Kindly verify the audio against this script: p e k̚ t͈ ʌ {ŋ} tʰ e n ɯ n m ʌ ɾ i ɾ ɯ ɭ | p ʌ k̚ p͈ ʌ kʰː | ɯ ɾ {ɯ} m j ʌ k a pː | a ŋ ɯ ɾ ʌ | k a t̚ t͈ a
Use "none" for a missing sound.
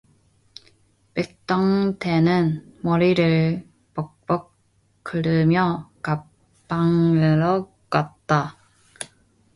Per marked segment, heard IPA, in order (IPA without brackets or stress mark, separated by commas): ŋ, ɯ